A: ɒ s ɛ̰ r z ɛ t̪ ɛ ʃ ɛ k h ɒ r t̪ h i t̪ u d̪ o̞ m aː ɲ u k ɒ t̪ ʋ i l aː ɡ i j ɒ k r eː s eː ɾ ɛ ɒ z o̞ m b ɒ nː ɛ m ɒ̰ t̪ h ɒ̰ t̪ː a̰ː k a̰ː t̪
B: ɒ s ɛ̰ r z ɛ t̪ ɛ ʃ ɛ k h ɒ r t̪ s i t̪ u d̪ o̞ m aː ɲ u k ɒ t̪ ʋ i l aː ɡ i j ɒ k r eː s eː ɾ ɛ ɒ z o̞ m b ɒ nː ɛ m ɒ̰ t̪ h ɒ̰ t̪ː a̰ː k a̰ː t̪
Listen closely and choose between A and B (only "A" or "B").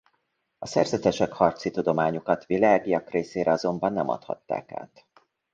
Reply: B